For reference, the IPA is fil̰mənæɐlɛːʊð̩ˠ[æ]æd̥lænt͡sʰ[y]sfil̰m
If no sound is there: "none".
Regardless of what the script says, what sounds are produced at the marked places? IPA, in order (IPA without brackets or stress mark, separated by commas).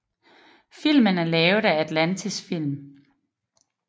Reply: æ, i